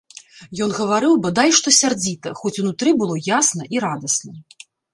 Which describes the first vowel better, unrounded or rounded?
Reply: rounded